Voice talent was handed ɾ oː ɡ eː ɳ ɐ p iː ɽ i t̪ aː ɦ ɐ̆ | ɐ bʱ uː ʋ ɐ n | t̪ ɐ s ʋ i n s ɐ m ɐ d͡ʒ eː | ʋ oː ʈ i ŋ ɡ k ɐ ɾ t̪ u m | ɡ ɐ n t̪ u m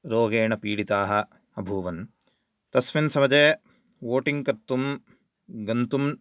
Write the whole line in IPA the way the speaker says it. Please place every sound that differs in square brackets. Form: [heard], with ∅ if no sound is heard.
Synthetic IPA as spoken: ɾ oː ɡ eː ɳ ɐ p iː ɽ i t̪ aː ɦ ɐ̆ | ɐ bʱ uː ʋ ɐ n | t̪ ɐ s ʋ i n s ɐ m ɐ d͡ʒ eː | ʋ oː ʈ i ŋ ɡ k ɐ ɾ t̪ u m | ɡ ɐ n t̪ u m

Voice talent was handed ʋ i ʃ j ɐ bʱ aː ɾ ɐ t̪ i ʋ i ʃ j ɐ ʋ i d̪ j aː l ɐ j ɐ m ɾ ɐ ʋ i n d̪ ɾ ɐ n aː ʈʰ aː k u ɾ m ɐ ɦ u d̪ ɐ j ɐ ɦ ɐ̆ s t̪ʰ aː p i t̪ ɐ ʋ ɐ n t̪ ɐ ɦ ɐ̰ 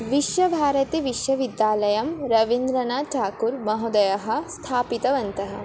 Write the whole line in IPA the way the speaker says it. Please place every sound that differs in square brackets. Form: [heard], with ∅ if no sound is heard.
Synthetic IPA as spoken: ʋ i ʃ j ɐ bʱ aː ɾ ɐ t̪ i ʋ i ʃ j ɐ ʋ i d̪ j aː l ɐ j ɐ m ɾ ɐ ʋ i n d̪ ɾ ɐ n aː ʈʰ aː k u ɾ m ɐ ɦ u d̪ ɐ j ɐ ɦ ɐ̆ s t̪ʰ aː p i t̪ ɐ ʋ ɐ n t̪ ɐ ɦ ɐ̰

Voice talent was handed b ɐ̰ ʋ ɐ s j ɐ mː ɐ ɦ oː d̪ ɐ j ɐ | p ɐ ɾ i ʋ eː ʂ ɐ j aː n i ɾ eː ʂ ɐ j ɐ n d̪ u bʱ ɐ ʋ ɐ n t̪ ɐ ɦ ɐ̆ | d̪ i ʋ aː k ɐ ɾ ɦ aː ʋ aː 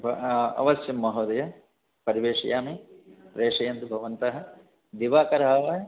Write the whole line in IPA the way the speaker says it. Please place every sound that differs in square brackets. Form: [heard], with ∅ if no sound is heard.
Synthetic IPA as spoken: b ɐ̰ ʋ ɐ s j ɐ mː ɐ ɦ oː d̪ ɐ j ɐ | p ɐ ɾ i ʋ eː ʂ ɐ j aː [m] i ɾ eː ʂ ɐ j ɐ n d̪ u bʱ ɐ ʋ ɐ n t̪ ɐ ɦ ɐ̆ | d̪ i ʋ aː k ɐ ɾ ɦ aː ʋ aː

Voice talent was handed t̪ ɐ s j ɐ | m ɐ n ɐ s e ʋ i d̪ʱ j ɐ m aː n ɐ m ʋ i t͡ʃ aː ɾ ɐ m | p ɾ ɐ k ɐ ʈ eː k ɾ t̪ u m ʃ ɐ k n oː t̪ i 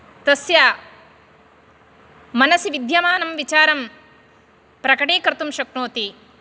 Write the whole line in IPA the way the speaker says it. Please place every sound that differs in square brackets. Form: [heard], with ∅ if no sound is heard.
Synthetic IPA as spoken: t̪ ɐ s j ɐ | m ɐ n ɐ s [i] ʋ i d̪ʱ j ɐ m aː n ɐ m ʋ i t͡ʃ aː ɾ ɐ m | p ɾ ɐ k ɐ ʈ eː k ɾ t̪ u m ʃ ɐ k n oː t̪ i

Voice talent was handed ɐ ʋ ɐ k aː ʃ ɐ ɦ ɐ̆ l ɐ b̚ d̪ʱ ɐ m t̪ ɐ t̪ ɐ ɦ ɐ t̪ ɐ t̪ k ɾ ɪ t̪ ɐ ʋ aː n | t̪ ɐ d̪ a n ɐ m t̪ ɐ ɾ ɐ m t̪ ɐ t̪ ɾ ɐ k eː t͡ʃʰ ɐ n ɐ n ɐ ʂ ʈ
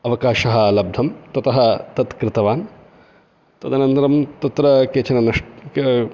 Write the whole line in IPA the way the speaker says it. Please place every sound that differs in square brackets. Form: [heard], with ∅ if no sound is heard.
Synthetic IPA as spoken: ɐ ʋ ɐ k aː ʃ ɐ ɦ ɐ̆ l ɐ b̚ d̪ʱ ɐ m t̪ ɐ t̪ ɐ ɦ ɐ t̪ ɐ t̪ k ɾ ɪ t̪ ɐ ʋ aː n | t̪ ɐ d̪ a n ɐ [n] t̪ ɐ ɾ ɐ m t̪ ɐ t̪ ɾ ɐ k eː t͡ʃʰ ɐ n ɐ n ɐ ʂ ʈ

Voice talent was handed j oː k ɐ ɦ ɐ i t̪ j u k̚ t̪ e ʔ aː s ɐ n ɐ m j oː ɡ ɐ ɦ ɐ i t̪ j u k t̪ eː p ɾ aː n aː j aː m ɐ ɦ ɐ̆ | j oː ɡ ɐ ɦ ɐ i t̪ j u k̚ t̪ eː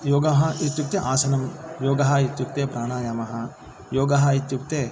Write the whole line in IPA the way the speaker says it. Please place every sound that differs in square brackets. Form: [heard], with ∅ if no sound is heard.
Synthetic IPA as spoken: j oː [ɡ] ɐ ɦ ɐ i t̪ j u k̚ t̪ e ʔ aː s ɐ n ɐ m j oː ɡ ɐ ɦ ɐ i t̪ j u k t̪ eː p ɾ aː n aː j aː m ɐ ɦ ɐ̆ | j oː ɡ ɐ ɦ ɐ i t̪ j u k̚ t̪ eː

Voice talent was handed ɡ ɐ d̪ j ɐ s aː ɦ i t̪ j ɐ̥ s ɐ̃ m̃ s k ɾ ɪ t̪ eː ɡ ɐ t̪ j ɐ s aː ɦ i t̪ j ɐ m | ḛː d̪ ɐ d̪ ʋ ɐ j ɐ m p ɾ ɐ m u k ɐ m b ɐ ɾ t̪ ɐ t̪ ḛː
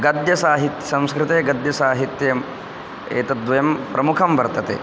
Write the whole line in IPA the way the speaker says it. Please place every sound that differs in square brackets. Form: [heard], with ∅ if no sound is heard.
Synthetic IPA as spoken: ɡ ɐ d̪ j ɐ s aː ɦ i t̪ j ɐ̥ s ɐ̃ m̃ s k ɾ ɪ t̪ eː ɡ ɐ [d̪] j ɐ s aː ɦ i t̪ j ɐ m | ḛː [t̪] ɐ d̪ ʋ ɐ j ɐ m p ɾ ɐ m u [kʰ] ɐ m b ɐ ɾ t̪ ɐ t̪ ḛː

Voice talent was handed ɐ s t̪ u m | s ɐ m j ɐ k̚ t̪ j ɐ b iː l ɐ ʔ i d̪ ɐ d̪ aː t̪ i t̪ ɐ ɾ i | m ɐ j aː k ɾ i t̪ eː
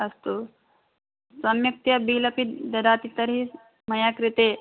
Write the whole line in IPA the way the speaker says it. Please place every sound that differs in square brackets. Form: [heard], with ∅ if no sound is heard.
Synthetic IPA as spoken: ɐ s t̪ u [∅] | s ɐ m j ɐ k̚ t̪ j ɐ b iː l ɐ [p] i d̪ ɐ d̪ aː t̪ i t̪ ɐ ɾ i | m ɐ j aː k ɾ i t̪ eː

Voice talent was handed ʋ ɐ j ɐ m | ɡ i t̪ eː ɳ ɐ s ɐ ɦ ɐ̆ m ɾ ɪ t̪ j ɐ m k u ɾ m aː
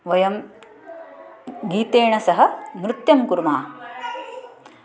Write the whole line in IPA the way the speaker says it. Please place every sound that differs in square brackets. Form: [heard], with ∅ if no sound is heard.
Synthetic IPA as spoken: ʋ ɐ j ɐ m | ɡ [iː] t̪ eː ɳ ɐ s ɐ ɦ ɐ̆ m ɾ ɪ t̪ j ɐ m k u ɾ m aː

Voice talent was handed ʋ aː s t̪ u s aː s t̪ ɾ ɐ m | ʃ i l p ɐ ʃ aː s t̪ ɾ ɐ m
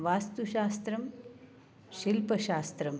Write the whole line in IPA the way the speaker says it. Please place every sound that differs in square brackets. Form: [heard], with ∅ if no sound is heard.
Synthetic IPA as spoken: ʋ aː s t̪ u [ʃ] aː s t̪ ɾ ɐ m | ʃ i l p ɐ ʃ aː s t̪ ɾ ɐ m

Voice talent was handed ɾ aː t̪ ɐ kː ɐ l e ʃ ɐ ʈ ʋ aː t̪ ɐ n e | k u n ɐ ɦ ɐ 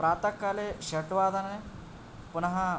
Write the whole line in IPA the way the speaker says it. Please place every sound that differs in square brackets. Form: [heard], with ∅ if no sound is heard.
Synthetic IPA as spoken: ɾ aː t̪ ɐ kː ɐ l e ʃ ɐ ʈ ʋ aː [d̪] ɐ n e | [p] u n ɐ ɦ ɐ

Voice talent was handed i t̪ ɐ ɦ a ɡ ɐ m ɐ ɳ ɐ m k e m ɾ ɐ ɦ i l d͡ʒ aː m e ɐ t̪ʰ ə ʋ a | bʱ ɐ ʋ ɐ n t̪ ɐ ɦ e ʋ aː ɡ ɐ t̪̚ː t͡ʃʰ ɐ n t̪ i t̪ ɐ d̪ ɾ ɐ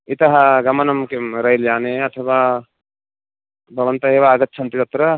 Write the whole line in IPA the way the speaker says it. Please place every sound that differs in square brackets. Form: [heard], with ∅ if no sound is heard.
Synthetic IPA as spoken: i t̪ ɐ ɦ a ɡ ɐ m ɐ [n] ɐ m k e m ɾ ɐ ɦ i l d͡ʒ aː [n] e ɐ t̪ʰ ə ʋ a | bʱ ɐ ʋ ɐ n t̪ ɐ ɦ e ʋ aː ɡ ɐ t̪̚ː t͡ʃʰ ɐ n t̪ i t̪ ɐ [t̪] ɾ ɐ

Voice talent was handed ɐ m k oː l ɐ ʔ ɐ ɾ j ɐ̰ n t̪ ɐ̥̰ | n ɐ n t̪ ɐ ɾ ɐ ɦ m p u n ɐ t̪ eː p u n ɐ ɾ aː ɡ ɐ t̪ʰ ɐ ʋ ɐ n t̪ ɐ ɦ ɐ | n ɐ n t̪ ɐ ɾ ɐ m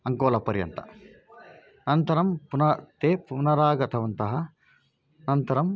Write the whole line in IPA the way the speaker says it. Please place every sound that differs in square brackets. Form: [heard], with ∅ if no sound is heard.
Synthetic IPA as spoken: ɐ [ŋ] k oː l ɐ [p] ɐ ɾ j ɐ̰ n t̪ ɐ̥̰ | n ɐ n t̪ ɐ ɾ ɐ [∅] m p u n ɐ t̪ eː p u n ɐ ɾ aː ɡ ɐ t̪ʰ ɐ ʋ ɐ n t̪ ɐ ɦ ɐ | n ɐ n t̪ ɐ ɾ ɐ m

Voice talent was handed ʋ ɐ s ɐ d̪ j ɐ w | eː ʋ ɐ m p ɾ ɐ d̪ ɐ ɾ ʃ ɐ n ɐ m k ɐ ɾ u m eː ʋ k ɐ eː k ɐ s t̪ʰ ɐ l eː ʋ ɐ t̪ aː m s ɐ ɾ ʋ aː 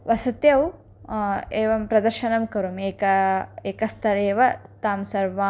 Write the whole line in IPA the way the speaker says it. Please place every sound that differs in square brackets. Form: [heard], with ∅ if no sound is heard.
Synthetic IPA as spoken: ʋ ɐ s ɐ [t̪] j ɐ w | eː ʋ ɐ m p ɾ ɐ d̪ ɐ ɾ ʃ ɐ n ɐ m k ɐ ɾ u m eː [∅] k ɐ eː k ɐ s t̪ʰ ɐ l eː ʋ ɐ t̪ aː m s ɐ ɾ ʋ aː

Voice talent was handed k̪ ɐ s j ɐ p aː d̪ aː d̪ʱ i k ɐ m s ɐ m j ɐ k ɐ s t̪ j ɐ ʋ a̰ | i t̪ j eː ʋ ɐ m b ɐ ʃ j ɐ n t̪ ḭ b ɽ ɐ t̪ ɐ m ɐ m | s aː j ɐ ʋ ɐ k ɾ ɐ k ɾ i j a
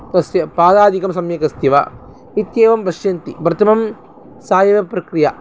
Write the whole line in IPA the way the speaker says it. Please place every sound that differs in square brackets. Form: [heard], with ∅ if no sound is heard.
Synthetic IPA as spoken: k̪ ɐ s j ɐ p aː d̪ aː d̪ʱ i k ɐ m s ɐ m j ɐ k ɐ s t̪ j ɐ ʋ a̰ | i t̪ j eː ʋ ɐ m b ɐ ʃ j ɐ n t̪ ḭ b [ɾ] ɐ t̪ ɐ m ɐ m | s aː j ɐ ʋ ɐ [p] ɾ ɐ k ɾ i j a

